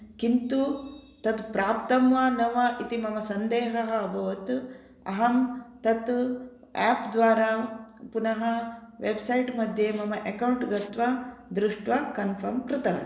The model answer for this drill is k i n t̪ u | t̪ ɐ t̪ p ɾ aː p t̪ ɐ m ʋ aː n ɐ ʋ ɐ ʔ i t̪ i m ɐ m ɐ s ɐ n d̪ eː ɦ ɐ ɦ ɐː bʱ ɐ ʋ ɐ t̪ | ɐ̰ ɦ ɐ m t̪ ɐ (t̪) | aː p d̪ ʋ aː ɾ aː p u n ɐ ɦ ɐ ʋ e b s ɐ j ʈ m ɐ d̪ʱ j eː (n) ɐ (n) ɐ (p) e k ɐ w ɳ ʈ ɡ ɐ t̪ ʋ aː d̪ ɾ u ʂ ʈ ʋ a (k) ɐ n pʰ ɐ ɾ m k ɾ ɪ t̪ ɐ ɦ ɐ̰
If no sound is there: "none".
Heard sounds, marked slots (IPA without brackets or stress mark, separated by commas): t̪, m, m, ʔ, k